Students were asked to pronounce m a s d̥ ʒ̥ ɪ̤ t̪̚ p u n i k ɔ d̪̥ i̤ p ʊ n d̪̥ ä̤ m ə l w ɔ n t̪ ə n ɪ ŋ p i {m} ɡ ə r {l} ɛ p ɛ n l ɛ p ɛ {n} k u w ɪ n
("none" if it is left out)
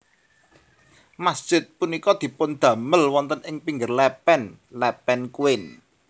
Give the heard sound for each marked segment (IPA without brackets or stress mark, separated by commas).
ŋ, l, n